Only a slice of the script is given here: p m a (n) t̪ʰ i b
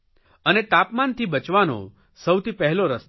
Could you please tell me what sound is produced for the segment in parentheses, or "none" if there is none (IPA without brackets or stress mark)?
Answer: n